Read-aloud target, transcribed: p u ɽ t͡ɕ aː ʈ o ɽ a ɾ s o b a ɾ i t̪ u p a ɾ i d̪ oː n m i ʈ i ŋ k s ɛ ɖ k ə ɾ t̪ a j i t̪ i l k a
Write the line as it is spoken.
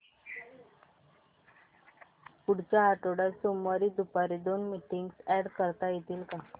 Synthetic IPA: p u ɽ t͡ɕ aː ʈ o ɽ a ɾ s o m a ɾ i d̪ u p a ɾ i d̪ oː n m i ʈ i ŋ ɡ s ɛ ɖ k ə ɾ t̪ a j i t̪ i l k a